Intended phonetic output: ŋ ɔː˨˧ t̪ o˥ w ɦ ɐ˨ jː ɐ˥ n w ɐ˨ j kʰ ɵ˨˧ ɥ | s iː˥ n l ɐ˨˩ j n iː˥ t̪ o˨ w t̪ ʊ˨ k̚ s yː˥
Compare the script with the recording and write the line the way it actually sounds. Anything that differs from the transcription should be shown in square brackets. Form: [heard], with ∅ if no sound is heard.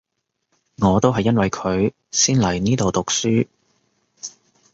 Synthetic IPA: ŋ ɔː˨˧ t̪ o˥ w ɦ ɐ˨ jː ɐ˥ n w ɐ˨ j kʰ ɵ˨˧ ɥ | s iː˥ n l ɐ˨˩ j n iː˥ t̪ o˨ w t̪ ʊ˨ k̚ s yː˥